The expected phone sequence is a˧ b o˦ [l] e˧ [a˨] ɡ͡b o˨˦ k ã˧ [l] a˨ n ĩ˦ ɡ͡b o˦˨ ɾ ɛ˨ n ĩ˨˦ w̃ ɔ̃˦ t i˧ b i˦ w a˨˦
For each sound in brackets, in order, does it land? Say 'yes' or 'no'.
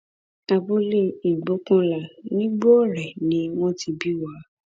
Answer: yes, no, yes

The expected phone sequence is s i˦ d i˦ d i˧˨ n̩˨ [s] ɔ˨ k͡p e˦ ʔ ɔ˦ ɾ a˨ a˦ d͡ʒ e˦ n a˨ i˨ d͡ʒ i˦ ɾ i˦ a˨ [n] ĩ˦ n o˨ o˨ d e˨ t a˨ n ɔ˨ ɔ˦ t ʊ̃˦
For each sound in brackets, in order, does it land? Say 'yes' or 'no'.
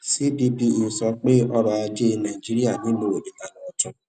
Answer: yes, yes

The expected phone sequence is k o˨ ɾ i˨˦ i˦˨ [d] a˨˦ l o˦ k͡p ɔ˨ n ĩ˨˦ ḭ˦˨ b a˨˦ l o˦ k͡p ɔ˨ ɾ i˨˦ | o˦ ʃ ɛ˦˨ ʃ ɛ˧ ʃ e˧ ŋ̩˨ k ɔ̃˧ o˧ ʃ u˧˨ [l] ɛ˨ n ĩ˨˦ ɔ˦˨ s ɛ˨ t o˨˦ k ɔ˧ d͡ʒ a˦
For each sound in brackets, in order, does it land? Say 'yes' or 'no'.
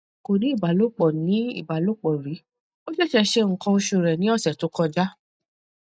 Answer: no, no

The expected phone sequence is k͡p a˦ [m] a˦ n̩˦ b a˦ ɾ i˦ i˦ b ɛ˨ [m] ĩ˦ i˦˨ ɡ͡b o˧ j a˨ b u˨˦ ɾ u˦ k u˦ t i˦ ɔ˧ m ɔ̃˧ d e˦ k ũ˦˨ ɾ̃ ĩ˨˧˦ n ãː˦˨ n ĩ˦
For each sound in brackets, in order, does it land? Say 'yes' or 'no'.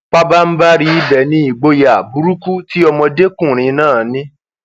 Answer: no, no

